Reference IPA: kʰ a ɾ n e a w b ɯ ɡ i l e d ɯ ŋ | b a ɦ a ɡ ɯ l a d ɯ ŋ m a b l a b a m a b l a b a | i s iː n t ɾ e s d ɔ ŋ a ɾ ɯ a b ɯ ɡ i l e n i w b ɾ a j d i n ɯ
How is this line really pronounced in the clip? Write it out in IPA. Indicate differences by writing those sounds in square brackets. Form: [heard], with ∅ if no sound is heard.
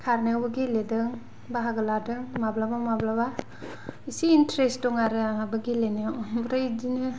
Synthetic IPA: kʰ a ɾ n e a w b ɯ ɡ i l e d ɯ ŋ | b a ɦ a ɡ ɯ l a d ɯ ŋ m a b l a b a m a b l a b a | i s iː n t ɾ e s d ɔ ŋ a ɾ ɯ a b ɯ ɡ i l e n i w b ɾ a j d i n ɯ